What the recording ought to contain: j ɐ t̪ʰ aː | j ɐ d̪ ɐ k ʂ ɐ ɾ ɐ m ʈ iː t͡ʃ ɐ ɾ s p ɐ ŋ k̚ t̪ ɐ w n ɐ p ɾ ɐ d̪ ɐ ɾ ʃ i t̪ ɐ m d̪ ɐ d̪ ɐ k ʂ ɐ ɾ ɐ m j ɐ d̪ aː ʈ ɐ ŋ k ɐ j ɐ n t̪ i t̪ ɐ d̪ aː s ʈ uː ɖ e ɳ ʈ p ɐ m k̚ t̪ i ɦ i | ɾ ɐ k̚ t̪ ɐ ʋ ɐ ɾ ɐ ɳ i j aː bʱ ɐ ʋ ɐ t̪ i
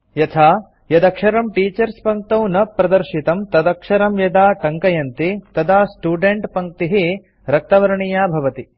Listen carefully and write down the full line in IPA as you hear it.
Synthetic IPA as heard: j ɐ t̪ʰ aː | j ɐ d̪ ɐ k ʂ ɐ ɾ ɐ m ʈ iː t͡ʃ ɐ ɾ s p ɐ ŋ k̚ t̪ ɐ w n ɐ p ɾ ɐ d̪ ɐ ɾ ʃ i t̪ ɐ m t̪ ɐ d̪ ɐ k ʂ ɐ ɾ ɐ m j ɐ d̪ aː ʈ ɐ ŋ k ɐ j ɐ n t̪ i t̪ ɐ d̪ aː s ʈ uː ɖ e ɳ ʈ p ɐ ŋ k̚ t̪ i ɦ i | ɾ ɐ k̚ t̪ ɐ ʋ ɐ ɾ ɐ ɳ i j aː bʱ ɐ ʋ ɐ t̪ i

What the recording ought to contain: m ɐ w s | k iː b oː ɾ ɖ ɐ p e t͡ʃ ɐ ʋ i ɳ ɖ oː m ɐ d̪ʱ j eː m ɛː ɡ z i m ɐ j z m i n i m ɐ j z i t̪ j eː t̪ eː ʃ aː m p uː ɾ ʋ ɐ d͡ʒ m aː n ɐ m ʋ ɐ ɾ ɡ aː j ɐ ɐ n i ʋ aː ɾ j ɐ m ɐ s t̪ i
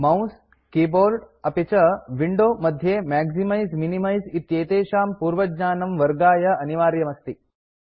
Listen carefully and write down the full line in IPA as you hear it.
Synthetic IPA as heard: m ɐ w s | k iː b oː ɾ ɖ ɐ p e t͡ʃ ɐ ʋ i ɳ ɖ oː m ɐ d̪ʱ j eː m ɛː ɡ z i m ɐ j z m i n i m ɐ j z i t̪ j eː t̪ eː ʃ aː m p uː ɾ ʋ ɐ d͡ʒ ɲ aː n ɐ m ʋ ɐ ɾ ɡ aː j ɐ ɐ n i ʋ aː ɾ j ɐ m ɐ s t̪ i

